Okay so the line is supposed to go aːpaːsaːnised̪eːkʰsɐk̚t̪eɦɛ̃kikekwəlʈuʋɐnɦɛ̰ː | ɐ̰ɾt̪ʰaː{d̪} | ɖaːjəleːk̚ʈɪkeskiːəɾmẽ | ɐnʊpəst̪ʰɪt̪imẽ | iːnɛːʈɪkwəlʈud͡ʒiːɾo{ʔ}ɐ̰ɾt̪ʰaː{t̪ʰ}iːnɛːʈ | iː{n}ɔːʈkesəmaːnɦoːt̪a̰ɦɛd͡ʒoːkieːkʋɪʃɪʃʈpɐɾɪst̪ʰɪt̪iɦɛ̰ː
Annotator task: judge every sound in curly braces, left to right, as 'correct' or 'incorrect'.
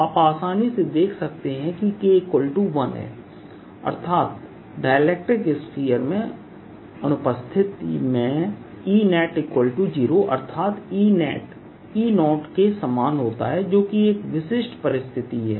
incorrect, correct, incorrect, correct

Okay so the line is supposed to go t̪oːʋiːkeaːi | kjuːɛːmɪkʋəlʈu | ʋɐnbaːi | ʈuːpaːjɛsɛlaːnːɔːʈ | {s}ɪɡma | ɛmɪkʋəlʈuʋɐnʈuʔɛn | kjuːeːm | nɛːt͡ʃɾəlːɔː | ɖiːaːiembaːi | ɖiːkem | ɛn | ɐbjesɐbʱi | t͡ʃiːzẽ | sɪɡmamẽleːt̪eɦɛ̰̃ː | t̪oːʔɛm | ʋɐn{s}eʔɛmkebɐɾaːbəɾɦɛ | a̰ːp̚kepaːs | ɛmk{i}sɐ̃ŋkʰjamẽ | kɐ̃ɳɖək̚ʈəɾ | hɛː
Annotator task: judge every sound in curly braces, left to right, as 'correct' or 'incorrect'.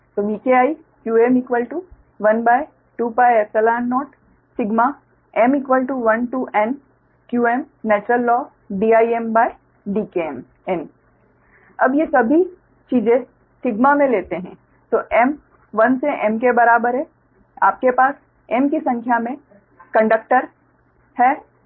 correct, correct, correct

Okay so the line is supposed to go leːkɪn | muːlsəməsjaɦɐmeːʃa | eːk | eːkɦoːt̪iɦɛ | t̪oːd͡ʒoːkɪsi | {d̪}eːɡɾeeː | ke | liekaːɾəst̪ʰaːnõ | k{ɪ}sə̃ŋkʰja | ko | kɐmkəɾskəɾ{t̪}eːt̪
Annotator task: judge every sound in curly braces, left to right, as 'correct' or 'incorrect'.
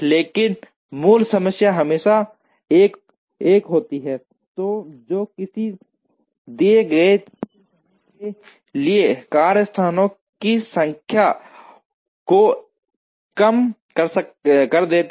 correct, incorrect, incorrect

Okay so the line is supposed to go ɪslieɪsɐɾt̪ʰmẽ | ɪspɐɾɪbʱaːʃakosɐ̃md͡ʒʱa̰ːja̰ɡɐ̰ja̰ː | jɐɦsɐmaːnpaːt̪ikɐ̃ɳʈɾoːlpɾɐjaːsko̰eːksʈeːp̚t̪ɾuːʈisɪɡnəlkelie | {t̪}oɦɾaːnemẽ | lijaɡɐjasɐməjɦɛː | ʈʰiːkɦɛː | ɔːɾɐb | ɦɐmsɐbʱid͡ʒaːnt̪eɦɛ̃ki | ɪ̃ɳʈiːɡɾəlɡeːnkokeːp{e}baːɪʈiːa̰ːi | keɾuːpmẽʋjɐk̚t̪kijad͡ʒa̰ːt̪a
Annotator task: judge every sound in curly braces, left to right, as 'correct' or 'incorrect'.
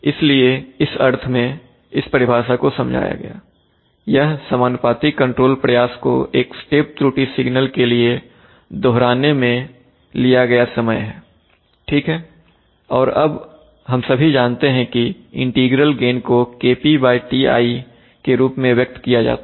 incorrect, incorrect

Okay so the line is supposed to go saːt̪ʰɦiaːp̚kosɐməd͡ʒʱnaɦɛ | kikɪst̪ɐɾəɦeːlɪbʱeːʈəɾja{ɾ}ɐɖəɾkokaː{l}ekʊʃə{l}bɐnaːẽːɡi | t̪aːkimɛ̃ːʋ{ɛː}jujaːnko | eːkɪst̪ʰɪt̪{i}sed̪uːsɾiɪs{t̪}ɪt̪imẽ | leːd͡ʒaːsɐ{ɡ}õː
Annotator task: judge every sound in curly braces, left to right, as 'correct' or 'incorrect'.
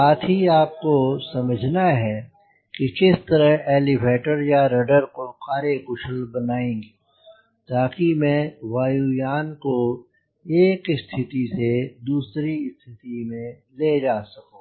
correct, incorrect, correct, incorrect, correct, incorrect, incorrect

